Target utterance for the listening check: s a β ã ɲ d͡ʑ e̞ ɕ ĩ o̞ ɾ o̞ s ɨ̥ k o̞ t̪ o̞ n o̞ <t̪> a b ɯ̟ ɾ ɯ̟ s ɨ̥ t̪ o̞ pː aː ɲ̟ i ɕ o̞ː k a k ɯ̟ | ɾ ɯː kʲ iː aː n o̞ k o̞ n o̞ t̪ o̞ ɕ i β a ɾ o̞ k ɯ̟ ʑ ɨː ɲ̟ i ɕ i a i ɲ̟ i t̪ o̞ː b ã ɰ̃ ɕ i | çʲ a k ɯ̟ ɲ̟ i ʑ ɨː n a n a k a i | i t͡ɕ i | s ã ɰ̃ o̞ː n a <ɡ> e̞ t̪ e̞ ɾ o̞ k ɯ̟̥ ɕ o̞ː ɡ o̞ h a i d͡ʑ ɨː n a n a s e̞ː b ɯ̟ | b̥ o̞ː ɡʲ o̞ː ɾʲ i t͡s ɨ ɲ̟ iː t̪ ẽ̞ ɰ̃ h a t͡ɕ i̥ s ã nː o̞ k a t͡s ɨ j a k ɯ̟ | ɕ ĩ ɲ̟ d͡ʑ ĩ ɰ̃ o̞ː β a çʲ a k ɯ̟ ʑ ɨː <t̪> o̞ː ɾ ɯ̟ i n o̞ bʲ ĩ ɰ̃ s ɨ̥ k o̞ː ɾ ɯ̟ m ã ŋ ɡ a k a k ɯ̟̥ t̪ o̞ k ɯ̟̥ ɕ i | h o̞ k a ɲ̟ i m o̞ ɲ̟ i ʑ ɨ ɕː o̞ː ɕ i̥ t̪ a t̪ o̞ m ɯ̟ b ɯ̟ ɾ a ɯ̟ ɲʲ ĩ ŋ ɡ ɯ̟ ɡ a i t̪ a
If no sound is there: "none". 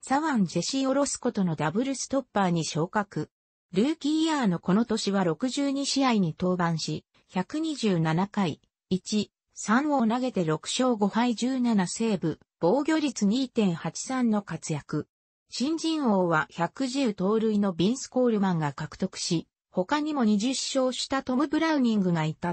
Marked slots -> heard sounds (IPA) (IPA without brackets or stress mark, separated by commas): d̪, ɡ, t̪